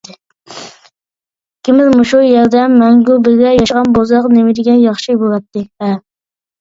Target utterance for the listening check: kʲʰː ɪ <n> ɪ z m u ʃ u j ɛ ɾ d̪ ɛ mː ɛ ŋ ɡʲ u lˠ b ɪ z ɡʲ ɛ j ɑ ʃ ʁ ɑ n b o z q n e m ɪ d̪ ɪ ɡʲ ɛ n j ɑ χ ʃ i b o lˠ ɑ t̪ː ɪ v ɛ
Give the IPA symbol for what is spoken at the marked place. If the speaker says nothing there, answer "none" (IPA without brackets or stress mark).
m